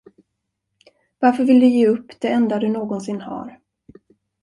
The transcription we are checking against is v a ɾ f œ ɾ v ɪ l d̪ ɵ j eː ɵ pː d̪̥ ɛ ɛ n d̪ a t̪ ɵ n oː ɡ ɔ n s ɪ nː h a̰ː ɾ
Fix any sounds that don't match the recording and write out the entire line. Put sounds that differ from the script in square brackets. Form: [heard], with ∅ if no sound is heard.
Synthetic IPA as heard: v a ɾ f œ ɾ v ɪ l d̪ ɵ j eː ɵ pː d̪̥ ɛ ɛ n d̪ a [d̪] ɵ n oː ɡ ɔ n s ɪ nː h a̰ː ɾ